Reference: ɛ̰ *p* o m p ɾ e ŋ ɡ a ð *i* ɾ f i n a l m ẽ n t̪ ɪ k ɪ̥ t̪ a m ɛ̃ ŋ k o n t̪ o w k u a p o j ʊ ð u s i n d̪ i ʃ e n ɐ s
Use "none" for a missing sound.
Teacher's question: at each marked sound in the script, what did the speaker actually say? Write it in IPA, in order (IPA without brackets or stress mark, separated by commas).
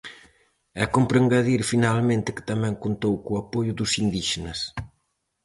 k, i